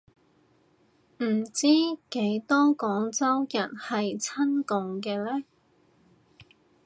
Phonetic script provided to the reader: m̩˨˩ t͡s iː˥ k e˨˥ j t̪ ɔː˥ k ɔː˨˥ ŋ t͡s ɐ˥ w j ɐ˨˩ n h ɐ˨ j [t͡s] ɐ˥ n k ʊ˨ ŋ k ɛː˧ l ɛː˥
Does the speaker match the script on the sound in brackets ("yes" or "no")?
no